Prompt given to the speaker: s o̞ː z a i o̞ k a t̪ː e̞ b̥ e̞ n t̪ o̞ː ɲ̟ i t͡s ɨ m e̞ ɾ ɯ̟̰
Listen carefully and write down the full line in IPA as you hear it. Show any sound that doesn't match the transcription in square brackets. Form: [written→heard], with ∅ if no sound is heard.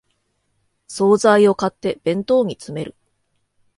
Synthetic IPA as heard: s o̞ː z a i o̞ k a t̪ː e̞ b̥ [e̞→ẽ̞] n t̪ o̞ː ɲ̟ i t͡s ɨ m e̞ ɾ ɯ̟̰